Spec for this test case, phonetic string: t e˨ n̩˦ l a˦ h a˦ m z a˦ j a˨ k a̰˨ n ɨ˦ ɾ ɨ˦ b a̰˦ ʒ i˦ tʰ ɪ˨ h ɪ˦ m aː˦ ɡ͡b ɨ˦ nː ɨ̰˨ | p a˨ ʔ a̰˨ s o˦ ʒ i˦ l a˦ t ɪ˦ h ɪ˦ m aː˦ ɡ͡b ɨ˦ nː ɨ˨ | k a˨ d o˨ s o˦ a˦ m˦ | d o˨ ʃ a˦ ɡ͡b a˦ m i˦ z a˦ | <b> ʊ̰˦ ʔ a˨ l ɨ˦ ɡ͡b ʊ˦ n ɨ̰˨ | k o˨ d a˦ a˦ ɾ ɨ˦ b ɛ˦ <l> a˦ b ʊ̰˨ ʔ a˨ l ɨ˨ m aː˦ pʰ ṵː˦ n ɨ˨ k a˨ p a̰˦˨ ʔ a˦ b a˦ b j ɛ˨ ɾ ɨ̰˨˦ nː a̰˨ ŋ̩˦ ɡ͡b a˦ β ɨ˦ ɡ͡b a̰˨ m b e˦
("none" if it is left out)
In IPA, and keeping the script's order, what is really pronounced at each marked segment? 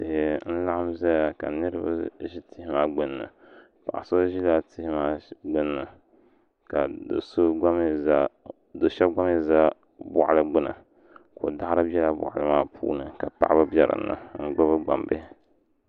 b, l

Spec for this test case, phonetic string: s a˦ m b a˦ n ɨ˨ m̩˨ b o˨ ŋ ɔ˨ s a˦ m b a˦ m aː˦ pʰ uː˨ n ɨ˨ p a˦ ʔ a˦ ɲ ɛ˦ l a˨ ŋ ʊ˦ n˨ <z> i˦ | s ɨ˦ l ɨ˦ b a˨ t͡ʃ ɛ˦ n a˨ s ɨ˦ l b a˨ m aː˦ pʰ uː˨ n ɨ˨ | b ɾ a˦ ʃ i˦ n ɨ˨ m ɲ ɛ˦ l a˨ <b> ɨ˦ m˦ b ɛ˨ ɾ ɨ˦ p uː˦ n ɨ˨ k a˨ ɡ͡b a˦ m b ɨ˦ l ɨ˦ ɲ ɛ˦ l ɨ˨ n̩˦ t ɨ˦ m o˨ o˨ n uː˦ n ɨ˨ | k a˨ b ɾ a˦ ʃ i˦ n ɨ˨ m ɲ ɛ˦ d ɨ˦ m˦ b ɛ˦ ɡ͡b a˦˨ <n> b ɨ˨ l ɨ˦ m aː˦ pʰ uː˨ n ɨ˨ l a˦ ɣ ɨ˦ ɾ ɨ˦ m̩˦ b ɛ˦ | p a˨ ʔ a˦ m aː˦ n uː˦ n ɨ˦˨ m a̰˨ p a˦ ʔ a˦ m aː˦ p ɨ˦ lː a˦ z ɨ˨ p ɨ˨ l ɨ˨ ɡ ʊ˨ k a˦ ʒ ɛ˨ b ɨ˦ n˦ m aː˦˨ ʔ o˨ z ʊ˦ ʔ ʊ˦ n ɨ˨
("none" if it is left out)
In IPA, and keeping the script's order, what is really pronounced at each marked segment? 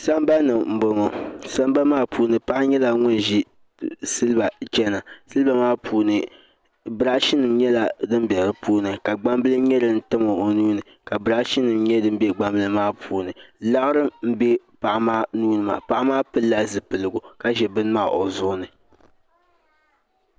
ʒ, d, m

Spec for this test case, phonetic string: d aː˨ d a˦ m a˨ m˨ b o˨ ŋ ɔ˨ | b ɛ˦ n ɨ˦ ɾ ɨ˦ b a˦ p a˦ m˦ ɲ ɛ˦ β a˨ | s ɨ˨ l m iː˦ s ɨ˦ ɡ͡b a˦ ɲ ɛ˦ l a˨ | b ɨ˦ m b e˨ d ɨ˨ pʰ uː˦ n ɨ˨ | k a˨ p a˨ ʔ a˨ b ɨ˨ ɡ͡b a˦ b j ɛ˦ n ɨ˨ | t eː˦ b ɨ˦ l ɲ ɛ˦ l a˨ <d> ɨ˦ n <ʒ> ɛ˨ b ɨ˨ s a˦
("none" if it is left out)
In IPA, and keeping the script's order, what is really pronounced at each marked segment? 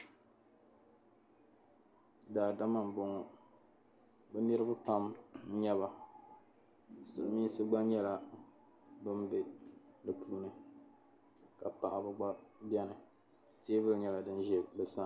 d, ʒ

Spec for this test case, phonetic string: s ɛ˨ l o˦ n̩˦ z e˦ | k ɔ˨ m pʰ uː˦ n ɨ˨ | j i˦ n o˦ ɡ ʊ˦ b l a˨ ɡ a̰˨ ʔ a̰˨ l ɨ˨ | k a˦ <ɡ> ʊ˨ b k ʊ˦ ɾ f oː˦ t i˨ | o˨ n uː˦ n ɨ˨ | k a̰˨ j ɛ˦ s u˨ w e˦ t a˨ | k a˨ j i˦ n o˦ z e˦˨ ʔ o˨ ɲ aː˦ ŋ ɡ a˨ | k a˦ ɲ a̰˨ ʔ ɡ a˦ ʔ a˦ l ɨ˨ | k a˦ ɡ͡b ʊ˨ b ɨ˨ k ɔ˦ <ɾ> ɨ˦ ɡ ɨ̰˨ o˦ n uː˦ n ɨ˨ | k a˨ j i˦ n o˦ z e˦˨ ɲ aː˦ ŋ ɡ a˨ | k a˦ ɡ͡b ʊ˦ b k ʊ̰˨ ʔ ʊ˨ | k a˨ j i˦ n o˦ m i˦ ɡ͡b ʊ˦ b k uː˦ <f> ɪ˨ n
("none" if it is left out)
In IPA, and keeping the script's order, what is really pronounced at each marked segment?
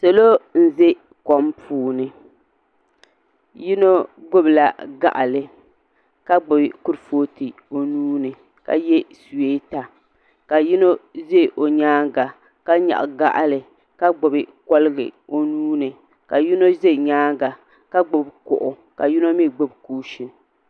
ɡ͡b, l, ʃ

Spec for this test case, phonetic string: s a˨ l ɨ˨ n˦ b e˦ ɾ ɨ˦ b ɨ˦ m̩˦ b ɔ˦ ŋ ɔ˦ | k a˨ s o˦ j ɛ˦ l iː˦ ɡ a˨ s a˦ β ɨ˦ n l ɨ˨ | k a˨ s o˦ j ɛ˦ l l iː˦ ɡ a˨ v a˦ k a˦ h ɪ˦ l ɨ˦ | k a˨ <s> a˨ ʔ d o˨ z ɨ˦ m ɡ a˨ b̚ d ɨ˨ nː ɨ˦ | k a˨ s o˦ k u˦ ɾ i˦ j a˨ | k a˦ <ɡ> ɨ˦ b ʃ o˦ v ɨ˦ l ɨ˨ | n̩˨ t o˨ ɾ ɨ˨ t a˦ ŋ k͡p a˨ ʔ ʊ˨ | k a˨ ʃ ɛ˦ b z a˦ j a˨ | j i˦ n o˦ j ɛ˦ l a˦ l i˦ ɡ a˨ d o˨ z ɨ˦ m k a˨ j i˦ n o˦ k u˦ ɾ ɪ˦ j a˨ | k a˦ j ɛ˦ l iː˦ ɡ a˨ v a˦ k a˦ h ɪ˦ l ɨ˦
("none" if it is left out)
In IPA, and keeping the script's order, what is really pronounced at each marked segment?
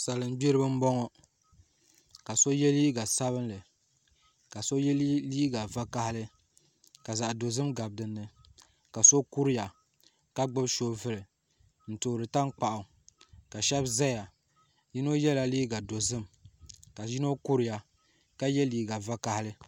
z, ɡ͡b

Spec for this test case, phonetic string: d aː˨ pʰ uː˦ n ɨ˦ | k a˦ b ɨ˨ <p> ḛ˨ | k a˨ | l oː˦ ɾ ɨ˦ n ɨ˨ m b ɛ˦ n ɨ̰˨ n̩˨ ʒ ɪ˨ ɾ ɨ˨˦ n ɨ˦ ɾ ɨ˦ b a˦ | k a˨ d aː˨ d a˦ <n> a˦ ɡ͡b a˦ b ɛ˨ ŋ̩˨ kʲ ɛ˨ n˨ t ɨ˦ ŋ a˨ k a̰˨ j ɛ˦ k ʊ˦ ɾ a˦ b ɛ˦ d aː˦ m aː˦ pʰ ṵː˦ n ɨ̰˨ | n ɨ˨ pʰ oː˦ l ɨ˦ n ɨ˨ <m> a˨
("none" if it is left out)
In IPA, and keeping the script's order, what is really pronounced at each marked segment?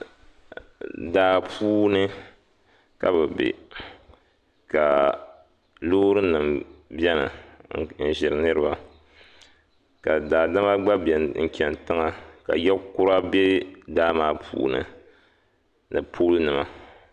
b, m, m

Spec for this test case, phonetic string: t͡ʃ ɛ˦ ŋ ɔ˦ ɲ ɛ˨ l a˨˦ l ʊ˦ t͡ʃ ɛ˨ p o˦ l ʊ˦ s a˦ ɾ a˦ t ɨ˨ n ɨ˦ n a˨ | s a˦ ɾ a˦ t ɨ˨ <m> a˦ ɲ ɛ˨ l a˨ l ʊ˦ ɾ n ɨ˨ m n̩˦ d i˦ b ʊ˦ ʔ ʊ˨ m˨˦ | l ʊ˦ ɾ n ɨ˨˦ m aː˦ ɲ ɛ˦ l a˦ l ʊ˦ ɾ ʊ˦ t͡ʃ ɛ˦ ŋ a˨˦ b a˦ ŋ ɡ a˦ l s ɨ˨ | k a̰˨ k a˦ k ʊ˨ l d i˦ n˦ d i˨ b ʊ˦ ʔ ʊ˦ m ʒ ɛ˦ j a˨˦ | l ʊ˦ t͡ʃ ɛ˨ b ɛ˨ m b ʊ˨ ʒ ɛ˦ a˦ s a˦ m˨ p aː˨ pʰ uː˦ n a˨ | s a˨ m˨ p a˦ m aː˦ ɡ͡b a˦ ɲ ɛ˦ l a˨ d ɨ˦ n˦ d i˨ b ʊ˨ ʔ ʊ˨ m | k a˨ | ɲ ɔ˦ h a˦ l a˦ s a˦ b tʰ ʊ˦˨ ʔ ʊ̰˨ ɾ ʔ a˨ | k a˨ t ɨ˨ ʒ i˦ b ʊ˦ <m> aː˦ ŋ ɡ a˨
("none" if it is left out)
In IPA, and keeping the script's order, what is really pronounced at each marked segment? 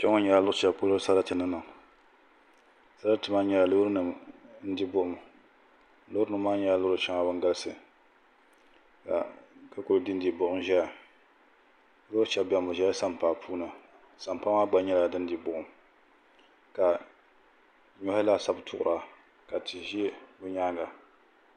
m, ɲ

